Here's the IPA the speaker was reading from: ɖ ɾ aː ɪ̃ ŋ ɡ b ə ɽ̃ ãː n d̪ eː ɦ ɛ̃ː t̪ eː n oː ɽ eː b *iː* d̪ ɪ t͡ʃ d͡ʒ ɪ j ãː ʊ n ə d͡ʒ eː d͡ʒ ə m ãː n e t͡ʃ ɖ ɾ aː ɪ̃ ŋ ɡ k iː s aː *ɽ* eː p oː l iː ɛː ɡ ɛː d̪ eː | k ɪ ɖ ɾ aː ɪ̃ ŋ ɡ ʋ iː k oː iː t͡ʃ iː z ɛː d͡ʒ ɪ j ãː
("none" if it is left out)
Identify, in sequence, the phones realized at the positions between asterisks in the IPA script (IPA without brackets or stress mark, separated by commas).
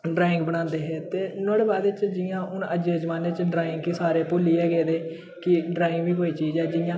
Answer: aː, ɾ